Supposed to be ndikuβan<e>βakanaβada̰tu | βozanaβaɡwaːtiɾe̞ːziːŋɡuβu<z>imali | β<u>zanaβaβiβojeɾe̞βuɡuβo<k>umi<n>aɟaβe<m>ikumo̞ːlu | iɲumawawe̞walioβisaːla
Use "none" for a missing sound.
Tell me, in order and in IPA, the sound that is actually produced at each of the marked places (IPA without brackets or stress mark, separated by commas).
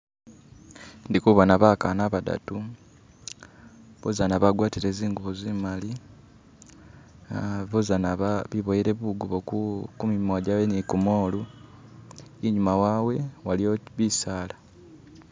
a, z, o, k, m, n